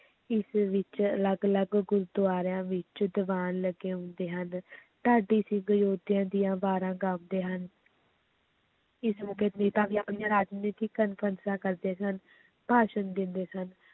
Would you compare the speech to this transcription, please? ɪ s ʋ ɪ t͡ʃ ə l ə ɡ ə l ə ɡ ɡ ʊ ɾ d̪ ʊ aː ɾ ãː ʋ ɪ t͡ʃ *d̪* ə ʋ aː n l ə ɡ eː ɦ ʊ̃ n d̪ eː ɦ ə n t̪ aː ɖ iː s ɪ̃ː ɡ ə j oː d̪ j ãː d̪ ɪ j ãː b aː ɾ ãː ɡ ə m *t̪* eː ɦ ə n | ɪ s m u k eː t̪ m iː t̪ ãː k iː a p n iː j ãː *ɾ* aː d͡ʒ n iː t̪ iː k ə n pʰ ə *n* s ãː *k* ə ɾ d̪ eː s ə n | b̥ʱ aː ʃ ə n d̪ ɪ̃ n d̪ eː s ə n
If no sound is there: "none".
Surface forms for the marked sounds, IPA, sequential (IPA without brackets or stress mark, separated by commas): d̪, d̪, ɾ, n, k